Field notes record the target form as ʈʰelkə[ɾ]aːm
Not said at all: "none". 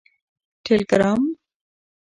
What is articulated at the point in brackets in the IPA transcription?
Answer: ɾ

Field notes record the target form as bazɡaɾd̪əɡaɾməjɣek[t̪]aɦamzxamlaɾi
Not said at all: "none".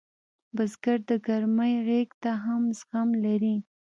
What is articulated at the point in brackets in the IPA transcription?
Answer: t̪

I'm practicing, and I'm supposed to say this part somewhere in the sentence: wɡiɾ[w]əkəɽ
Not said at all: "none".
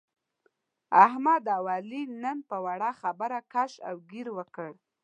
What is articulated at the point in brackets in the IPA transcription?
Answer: w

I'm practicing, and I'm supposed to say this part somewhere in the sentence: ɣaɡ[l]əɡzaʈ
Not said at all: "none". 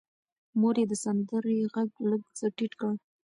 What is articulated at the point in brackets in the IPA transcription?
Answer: l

